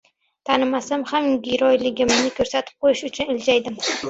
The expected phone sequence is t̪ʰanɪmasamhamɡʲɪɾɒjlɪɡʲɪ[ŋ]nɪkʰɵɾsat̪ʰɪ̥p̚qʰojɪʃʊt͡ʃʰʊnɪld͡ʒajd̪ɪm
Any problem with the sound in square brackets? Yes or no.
yes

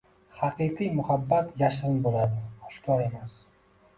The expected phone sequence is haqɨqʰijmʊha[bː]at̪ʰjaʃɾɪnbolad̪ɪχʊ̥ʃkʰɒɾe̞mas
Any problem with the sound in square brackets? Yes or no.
no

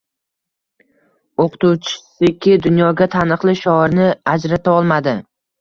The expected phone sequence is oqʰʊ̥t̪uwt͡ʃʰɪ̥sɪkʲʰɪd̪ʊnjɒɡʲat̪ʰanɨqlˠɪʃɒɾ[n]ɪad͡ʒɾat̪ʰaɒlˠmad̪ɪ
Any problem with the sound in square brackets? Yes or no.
no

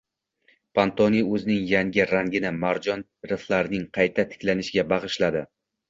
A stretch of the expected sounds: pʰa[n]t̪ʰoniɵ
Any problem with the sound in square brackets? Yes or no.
no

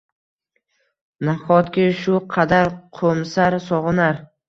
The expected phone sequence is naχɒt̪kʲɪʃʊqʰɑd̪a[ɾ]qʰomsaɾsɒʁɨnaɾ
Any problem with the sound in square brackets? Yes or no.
no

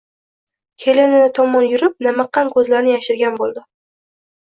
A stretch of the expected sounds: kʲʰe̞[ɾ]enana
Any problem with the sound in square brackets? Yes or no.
yes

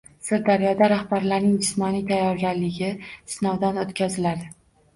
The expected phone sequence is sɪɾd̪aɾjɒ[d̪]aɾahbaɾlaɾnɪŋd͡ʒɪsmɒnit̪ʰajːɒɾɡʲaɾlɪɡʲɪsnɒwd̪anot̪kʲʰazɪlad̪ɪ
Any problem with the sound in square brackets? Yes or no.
no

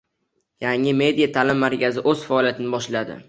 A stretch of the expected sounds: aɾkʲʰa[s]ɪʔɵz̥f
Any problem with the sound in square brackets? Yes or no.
yes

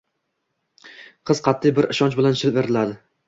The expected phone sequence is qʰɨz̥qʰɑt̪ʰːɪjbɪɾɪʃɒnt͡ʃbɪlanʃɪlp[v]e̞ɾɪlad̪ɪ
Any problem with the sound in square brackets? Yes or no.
no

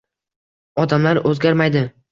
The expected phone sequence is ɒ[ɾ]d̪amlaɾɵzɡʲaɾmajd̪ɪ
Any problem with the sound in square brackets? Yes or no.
yes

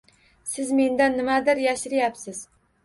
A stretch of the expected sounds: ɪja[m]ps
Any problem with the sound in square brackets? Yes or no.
yes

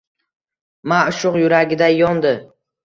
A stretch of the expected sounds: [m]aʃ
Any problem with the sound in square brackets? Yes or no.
no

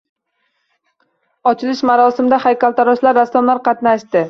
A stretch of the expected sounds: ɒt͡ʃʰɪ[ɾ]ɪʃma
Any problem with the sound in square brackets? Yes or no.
yes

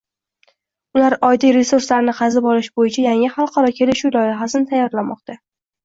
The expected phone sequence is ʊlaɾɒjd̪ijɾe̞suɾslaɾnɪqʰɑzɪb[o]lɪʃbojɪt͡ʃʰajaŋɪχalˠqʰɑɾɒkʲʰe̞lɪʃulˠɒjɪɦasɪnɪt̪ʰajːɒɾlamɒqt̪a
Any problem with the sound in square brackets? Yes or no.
yes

